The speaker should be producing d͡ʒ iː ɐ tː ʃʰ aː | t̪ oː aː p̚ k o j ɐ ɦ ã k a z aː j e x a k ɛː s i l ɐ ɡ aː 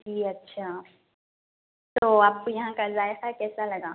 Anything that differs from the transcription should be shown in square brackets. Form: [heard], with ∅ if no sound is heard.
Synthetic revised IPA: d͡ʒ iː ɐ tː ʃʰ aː | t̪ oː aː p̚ k o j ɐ ɦ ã k a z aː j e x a k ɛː s [a] l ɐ ɡ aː